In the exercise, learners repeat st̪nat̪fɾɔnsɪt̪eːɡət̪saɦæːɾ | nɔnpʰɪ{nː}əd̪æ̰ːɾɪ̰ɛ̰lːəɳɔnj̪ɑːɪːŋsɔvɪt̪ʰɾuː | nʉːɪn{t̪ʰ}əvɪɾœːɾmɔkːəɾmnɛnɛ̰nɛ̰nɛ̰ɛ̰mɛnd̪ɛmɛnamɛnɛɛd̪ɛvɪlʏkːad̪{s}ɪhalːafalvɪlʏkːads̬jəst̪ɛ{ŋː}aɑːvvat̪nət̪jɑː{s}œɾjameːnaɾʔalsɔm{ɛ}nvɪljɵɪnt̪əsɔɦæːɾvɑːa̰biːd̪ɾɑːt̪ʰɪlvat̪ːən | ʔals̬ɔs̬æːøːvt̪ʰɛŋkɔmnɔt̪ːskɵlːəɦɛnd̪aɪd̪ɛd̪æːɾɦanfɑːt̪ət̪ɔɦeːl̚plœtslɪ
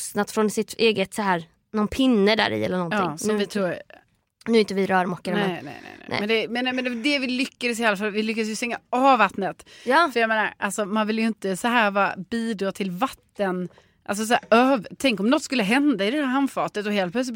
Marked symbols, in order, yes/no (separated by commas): yes, no, yes, yes, no, no